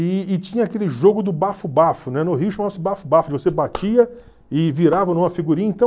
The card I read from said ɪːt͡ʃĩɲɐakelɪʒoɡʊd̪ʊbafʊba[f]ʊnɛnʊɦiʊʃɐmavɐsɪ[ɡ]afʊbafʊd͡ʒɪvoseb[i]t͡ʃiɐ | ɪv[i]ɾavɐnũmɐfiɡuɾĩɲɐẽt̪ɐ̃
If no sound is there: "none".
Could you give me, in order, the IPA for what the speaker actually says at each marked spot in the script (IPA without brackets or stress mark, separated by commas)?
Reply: f, b, a, i